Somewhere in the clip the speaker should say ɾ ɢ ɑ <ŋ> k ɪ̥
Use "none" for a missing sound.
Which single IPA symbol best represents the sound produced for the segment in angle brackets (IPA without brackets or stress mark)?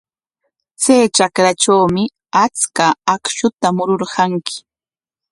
ŋ